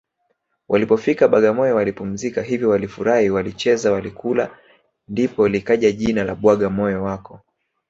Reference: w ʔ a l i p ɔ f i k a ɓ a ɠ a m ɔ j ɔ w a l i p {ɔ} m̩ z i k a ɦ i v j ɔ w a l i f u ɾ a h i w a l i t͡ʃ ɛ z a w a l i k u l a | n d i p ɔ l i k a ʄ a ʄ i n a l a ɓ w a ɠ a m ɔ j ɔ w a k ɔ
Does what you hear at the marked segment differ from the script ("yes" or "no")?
yes